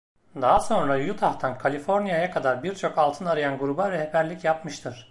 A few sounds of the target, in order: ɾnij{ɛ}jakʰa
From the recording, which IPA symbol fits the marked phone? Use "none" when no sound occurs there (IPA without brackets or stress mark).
a